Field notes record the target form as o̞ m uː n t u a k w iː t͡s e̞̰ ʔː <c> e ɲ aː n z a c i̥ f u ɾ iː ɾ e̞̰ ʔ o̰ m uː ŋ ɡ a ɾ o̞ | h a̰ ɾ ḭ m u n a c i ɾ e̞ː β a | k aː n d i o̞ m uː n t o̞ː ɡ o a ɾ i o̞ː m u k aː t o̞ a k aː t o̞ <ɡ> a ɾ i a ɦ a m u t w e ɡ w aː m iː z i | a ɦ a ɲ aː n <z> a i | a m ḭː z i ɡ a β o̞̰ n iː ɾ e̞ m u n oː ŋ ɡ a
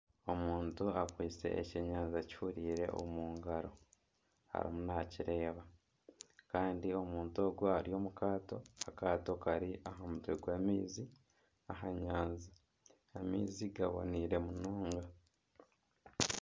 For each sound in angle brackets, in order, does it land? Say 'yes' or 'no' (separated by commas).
yes, no, yes